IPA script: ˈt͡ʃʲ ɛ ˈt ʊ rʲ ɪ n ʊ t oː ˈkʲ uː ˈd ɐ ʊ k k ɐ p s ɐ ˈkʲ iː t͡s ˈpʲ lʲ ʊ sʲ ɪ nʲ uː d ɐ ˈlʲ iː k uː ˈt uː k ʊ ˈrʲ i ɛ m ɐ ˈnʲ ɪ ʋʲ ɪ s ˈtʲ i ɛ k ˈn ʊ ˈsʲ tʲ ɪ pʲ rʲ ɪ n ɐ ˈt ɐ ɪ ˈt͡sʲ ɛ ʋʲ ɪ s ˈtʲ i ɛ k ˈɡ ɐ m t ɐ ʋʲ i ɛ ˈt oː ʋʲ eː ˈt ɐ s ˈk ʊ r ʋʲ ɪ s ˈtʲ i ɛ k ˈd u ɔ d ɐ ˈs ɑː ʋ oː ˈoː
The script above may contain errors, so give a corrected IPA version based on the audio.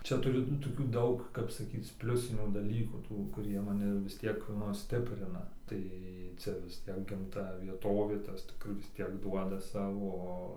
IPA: ˈt͡ʃʲ ɛ ˈt ʊ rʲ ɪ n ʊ t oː ˈkʲ uː ˈd ɐ ʊ k k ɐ p s ɐ ˈkʲ iː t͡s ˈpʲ lʲ ʊ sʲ ɪ nʲ uː d ɐ ˈlʲ iː k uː ˈt uː k ʊ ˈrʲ i ɛ m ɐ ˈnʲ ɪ ʋʲ ɪ s ˈtʲ i ɛ k ˈn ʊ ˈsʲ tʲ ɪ pʲ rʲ ɪ n ɐ ˈt ɐ ɪ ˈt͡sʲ ɛ ʋʲ ɪ s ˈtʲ i ɛ k ˈɡ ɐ m t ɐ ʋʲ i ɛ ˈt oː ʋʲ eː ˈt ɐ s ˈk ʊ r ʋʲ ɪ s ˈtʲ i ɛ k ˈd u ɔ d ɐ ˈs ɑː ʋ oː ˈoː